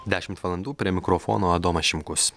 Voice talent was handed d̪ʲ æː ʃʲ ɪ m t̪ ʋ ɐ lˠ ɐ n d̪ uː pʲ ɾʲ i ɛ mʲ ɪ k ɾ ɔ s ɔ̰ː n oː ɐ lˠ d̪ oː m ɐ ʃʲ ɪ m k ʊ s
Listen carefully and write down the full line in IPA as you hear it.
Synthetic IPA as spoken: d̪ʲ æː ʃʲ ɪ m t̪ ʋ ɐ lˠ ɐ n d̪ uː pʲ ɾʲ i ɛ mʲ ɪ k ɾ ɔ f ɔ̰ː n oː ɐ d̪ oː m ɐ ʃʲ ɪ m k ʊ s